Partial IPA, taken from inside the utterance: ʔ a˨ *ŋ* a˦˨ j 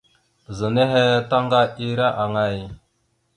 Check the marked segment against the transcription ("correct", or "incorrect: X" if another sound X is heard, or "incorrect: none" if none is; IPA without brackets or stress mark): correct